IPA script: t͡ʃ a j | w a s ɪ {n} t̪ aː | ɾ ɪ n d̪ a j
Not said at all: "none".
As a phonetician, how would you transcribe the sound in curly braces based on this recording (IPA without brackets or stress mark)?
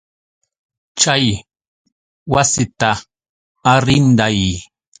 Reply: none